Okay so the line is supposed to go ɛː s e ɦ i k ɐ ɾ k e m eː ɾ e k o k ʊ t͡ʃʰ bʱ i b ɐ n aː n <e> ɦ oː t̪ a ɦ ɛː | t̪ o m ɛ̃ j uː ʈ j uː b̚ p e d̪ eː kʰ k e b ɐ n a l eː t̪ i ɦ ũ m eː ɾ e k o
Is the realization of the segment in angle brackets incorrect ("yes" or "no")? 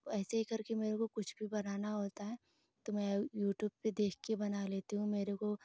yes